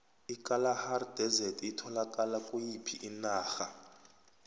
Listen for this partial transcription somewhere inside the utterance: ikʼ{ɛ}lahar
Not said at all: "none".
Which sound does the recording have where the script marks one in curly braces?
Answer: a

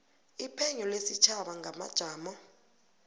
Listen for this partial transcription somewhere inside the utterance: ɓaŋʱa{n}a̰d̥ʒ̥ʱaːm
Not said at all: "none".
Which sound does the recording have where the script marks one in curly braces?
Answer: m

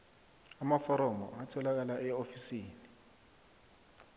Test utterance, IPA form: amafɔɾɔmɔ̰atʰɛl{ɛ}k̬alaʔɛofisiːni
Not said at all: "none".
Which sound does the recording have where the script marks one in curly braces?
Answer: a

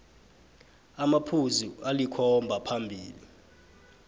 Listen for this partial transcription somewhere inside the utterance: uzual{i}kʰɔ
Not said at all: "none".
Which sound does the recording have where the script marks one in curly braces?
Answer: i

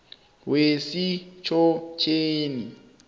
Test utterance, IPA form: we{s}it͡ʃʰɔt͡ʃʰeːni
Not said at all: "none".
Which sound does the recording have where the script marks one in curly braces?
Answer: s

